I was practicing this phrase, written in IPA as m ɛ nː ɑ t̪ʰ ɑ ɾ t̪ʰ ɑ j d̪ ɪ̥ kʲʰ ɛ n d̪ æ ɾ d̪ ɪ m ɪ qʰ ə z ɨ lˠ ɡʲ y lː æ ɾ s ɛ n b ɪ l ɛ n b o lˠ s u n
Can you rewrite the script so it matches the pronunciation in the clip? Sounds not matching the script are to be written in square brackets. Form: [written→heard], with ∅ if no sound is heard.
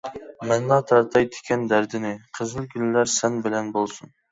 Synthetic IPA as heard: m ɛ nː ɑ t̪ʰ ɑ ɾ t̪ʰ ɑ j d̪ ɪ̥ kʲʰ ɛ n d̪ æ ɾ d̪ ɪ [m→n] ɪ qʰ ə z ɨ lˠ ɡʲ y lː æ ɾ s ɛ n b ɪ l ɛ n b o lˠ s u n

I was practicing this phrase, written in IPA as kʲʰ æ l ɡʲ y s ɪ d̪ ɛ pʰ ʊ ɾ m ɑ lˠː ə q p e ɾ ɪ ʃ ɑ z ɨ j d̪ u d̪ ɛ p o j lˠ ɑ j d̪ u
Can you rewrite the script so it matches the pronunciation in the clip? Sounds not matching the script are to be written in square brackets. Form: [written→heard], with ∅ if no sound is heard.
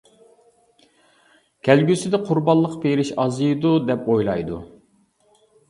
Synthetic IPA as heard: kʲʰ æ l ɡʲ y s ɪ d̪ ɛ [pʰ→qʰ] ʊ ɾ [m→b] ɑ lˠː ə q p e ɾ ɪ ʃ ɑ z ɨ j d̪ u d̪ ɛ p o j lˠ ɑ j d̪ u

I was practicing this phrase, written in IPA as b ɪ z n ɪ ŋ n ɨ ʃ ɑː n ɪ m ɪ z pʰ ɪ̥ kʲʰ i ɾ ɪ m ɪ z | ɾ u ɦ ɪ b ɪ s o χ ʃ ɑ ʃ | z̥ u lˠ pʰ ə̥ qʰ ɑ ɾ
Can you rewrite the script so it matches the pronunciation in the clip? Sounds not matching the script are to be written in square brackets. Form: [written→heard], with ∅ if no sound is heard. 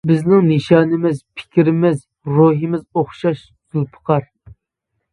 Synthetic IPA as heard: b ɪ z n ɪ ŋ n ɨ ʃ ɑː n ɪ m ɪ z pʰ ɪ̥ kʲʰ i ɾ ɪ m ɪ z | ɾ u ɦ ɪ [b→m] ɪ [s→z] o χ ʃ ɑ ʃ | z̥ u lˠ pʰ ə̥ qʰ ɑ ɾ

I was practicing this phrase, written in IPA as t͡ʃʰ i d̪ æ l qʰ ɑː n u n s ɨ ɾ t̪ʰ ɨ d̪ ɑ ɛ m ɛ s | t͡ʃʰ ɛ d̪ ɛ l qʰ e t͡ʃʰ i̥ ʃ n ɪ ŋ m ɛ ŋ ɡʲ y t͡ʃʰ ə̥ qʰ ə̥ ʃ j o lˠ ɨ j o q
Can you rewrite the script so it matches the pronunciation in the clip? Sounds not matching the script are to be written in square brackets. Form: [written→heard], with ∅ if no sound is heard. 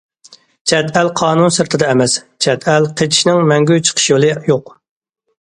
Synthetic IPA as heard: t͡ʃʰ [i→ɛ] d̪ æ l qʰ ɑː n u n s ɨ ɾ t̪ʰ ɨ d̪ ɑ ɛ m ɛ s | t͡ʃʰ ɛ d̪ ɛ l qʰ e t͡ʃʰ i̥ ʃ n ɪ ŋ m ɛ ŋ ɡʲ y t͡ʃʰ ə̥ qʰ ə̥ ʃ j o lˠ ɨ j o q

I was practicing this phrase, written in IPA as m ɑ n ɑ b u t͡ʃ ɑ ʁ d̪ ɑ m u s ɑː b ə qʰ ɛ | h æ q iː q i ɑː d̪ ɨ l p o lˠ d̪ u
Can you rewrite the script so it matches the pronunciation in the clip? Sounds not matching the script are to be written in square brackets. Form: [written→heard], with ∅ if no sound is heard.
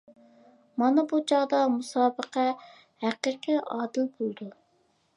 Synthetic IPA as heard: m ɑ n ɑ b u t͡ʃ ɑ ʁ d̪ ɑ m u s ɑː b ə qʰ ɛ | h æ q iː q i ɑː d̪ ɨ l [p→b] o lˠ d̪ u

